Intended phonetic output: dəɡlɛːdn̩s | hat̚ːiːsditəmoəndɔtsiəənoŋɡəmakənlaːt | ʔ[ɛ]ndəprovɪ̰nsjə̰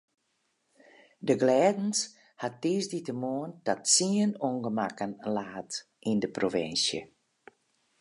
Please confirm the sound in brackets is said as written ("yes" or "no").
no